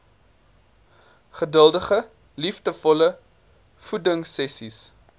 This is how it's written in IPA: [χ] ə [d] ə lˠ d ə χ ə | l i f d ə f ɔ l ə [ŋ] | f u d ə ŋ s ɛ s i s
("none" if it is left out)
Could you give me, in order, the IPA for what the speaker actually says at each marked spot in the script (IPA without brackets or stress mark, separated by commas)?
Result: χ, d, none